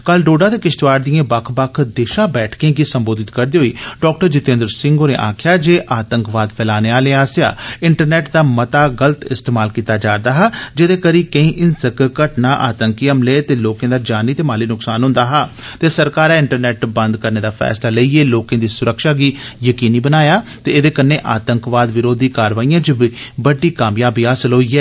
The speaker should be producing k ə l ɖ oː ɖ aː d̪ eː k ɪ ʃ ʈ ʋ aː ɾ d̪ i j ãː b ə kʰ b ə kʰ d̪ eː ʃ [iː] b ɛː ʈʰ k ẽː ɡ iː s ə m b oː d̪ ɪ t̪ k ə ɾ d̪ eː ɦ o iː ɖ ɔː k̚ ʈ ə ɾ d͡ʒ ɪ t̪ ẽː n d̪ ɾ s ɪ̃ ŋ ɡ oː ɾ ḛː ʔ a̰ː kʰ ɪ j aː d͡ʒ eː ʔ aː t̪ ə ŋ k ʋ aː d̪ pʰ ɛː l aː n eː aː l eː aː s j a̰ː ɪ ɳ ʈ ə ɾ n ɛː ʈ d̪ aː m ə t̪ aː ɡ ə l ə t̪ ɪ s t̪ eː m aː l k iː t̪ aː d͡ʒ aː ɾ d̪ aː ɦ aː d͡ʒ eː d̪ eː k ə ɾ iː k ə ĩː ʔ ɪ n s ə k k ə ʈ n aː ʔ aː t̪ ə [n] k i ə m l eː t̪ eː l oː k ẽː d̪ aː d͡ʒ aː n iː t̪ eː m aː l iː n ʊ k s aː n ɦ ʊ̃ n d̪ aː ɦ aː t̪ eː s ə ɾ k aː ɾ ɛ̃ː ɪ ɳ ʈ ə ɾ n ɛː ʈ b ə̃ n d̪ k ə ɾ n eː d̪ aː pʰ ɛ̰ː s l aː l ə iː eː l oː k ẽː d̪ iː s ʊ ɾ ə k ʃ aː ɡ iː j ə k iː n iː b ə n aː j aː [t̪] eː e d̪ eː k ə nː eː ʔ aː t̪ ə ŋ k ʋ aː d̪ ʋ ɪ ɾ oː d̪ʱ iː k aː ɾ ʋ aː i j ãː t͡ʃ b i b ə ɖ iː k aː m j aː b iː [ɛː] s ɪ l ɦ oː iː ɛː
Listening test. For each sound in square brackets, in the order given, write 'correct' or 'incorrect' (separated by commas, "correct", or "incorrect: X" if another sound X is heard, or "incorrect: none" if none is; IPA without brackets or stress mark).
incorrect: aː, incorrect: ŋ, correct, incorrect: aː